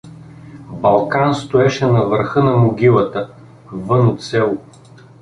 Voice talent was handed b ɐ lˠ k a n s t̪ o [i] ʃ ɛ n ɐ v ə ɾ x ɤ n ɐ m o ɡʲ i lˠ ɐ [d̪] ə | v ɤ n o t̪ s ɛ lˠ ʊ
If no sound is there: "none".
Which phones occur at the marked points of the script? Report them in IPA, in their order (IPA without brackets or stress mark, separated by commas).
ɛ, t̪